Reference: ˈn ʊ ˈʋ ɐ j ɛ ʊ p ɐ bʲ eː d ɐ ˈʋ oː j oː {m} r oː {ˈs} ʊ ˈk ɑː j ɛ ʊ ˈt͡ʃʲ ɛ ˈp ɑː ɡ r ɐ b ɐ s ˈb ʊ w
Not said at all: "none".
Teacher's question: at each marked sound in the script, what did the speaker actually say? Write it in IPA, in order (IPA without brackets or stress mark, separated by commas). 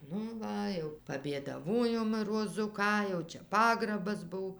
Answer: m, z